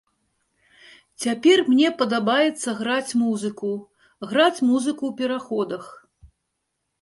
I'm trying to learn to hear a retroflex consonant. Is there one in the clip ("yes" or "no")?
no